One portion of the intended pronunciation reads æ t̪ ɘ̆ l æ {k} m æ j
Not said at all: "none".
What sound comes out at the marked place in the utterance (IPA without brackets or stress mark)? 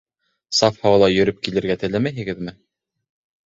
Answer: none